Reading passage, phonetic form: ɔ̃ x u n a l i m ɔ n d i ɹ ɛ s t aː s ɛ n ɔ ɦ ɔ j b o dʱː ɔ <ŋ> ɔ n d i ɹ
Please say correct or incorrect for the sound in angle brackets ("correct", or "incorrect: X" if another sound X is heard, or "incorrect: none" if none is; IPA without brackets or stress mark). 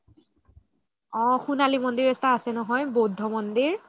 incorrect: m